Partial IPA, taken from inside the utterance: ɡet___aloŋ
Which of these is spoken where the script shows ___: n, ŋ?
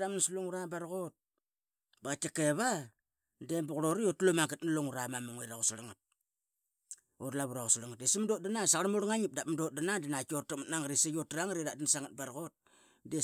n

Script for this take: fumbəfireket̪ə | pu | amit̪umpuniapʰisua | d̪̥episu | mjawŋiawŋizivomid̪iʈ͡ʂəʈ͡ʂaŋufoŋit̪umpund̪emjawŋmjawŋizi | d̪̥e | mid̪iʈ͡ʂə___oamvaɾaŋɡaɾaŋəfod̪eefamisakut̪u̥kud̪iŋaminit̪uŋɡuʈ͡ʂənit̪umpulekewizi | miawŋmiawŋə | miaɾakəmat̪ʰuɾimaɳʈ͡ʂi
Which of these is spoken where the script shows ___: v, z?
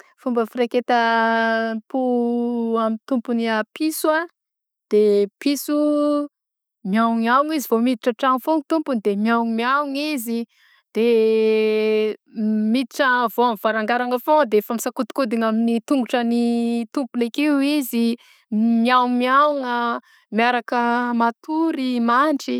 v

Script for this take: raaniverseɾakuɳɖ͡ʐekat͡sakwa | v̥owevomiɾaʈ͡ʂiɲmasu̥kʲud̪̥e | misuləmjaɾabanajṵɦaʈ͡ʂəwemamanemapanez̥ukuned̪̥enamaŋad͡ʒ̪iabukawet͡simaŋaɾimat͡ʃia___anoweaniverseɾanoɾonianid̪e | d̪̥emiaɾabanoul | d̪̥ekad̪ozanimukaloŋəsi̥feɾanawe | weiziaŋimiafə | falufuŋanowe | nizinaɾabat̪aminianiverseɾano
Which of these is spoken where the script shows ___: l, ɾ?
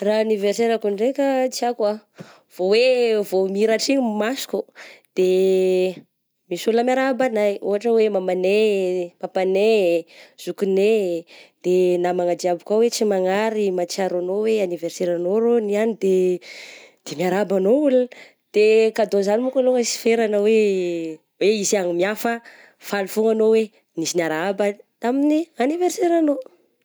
ɾ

